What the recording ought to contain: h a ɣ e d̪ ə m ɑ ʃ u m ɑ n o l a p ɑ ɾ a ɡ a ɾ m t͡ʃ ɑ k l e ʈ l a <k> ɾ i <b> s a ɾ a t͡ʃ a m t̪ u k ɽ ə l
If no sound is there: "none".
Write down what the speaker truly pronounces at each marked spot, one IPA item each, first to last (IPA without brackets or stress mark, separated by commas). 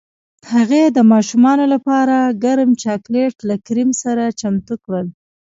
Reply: k, m